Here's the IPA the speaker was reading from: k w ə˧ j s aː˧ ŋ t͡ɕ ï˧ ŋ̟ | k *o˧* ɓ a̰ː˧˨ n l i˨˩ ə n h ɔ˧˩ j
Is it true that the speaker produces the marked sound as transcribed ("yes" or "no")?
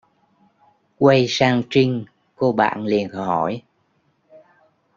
yes